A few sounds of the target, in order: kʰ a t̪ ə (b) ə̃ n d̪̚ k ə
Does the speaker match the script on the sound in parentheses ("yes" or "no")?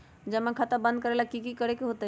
yes